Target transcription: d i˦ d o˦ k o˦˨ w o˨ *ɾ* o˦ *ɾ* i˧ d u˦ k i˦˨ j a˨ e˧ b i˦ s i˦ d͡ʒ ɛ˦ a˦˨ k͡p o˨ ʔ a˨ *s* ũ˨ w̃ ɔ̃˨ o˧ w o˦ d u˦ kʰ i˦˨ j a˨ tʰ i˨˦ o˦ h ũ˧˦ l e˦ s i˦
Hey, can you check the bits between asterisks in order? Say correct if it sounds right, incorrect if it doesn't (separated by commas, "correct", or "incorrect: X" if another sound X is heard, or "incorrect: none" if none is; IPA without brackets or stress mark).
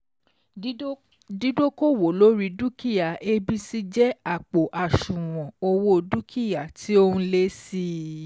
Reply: incorrect: l, correct, incorrect: ʃ